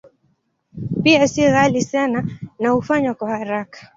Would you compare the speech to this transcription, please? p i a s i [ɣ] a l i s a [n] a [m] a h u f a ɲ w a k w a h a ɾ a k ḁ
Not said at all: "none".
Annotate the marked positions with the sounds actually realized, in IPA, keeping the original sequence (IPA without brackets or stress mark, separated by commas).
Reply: ɣ, n, n